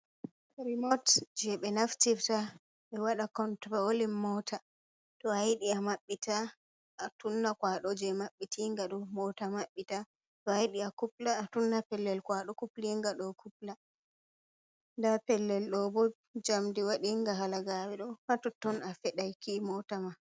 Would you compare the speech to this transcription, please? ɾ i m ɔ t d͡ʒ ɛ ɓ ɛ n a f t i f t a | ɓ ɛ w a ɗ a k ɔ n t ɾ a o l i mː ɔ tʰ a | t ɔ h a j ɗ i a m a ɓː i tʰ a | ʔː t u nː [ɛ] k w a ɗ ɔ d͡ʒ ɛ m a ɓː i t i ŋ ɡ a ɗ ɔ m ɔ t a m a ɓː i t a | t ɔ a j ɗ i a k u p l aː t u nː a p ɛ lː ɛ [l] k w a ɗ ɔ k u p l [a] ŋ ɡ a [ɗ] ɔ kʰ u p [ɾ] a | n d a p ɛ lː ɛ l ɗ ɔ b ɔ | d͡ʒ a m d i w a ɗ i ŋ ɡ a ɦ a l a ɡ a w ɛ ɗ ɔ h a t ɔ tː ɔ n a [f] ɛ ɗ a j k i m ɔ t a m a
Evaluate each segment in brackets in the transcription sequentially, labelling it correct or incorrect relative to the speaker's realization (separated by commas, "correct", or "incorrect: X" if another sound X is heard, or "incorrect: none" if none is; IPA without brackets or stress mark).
incorrect: a, correct, incorrect: i, correct, incorrect: l, correct